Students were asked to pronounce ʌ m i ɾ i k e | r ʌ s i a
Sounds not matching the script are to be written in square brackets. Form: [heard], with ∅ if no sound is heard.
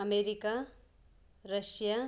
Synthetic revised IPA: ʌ m [e] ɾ i k [a] | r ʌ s [j] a